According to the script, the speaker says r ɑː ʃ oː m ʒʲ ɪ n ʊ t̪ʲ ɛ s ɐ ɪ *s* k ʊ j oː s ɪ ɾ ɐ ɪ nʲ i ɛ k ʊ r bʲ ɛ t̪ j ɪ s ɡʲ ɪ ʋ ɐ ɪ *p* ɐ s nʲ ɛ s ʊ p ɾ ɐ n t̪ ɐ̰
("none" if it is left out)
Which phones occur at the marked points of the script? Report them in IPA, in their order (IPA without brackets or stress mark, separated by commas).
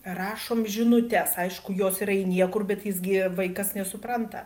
ʃ, k